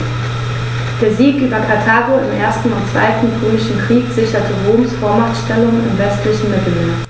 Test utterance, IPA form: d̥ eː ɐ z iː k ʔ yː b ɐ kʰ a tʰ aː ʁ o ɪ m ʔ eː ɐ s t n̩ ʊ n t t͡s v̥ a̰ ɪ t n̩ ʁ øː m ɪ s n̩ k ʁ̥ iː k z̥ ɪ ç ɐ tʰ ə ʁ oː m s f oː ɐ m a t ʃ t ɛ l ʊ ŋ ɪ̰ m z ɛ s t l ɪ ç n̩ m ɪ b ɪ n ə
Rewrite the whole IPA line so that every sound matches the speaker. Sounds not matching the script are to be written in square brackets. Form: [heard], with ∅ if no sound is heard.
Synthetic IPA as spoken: d̥ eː ɐ z iː k ʔ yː b ɐ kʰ a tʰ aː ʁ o ɪ m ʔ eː ɐ s t n̩ ʊ n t t͡s v̥ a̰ ɪ t n̩ ʁ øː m ɪ [ʃ] n̩ k ʁ̥ iː k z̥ ɪ ç ɐ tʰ ə ʁ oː m s f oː ɐ m a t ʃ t ɛ l ʊ ŋ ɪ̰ m [v] ɛ s t l ɪ ç n̩ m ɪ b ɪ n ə